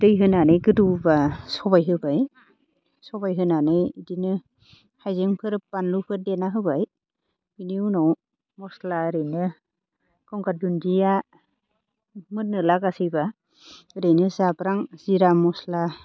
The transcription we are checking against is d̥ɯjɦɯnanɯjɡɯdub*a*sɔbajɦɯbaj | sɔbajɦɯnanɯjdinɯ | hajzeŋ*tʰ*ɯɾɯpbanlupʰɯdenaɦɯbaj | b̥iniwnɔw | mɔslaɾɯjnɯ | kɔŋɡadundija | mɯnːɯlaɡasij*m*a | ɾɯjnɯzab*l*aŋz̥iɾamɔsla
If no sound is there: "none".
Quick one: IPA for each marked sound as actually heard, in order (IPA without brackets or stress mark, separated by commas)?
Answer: a, pʰ, b, ɾ